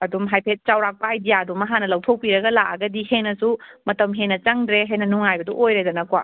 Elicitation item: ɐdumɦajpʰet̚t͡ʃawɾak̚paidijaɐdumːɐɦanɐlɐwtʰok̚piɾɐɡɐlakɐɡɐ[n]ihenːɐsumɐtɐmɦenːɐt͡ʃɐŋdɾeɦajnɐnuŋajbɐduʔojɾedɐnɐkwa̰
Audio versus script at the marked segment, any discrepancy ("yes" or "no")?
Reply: yes